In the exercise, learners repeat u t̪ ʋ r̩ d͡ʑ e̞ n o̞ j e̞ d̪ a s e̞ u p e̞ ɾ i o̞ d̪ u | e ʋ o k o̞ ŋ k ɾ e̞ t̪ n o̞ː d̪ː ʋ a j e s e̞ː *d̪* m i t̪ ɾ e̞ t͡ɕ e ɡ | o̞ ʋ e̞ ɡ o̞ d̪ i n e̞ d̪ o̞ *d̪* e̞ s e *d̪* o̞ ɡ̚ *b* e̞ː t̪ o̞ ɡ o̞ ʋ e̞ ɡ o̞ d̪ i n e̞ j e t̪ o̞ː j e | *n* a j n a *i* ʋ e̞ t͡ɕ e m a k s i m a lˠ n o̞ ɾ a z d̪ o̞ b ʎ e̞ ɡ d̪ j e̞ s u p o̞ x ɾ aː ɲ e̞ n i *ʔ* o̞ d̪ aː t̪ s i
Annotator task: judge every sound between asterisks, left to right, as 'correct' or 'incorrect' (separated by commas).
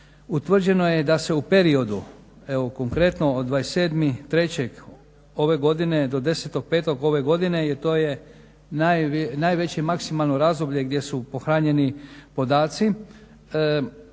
correct, correct, incorrect, incorrect, correct, incorrect, incorrect